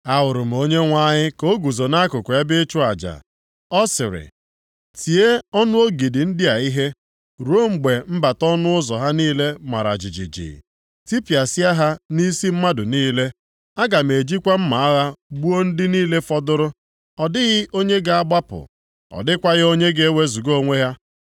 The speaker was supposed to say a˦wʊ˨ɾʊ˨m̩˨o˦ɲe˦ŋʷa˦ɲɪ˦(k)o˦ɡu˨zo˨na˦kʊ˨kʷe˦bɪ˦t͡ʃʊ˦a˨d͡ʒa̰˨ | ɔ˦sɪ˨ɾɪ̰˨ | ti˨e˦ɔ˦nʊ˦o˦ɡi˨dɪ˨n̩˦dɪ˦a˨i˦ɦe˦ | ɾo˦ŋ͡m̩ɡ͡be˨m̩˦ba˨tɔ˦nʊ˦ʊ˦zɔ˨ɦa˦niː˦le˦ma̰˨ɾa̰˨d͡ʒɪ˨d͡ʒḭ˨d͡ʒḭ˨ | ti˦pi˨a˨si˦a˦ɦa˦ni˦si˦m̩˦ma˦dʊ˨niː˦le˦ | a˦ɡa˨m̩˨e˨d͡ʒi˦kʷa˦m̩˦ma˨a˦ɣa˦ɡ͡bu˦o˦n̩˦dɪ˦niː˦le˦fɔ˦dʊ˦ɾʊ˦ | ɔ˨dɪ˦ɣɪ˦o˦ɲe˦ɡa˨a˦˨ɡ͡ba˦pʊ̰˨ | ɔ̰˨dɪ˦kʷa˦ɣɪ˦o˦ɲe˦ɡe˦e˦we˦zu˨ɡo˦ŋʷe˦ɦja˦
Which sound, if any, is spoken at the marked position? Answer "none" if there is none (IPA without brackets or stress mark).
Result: k